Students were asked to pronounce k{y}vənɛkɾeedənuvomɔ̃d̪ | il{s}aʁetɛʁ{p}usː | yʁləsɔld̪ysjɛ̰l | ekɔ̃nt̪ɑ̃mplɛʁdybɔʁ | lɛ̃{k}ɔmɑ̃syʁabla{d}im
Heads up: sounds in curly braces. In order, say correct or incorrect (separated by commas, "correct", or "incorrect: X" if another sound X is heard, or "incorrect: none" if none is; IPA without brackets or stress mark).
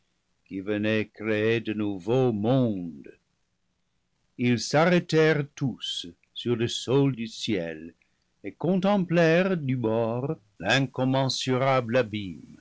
incorrect: i, correct, incorrect: t, correct, incorrect: b